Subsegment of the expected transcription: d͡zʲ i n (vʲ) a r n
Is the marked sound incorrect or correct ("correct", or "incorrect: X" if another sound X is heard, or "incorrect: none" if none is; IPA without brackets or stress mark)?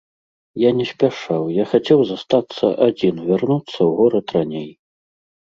correct